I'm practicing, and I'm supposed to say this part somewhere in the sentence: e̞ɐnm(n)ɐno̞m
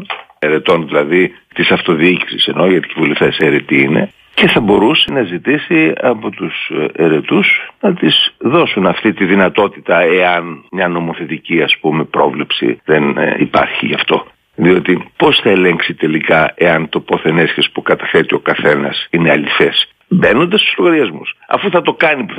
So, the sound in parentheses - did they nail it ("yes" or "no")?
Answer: no